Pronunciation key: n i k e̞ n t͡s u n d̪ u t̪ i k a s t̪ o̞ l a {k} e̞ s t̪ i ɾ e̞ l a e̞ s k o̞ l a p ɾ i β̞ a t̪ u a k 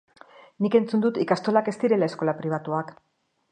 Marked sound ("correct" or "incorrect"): correct